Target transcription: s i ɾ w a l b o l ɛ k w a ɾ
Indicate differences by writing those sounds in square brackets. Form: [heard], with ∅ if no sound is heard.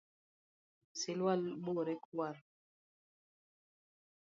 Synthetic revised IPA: s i [l] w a l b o [ɾ] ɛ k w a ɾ